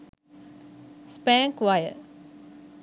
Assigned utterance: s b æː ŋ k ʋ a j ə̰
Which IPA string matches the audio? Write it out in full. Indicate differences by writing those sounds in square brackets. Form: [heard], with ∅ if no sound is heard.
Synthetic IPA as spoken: s [p] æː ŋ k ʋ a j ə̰